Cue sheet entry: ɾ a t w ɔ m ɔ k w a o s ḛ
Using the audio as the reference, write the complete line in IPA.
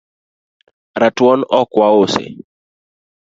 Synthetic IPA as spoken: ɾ a t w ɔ n ɔ k w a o s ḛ